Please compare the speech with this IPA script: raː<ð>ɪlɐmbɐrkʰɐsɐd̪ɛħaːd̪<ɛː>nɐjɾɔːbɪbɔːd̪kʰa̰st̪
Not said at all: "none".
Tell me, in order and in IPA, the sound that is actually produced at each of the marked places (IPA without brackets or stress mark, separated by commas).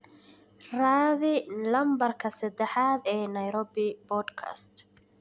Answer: ð, ɛː